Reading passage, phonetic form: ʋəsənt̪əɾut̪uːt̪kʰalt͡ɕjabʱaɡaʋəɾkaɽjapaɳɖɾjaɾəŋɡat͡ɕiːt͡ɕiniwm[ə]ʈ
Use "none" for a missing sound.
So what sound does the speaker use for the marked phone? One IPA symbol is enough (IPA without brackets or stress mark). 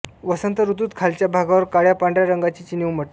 ə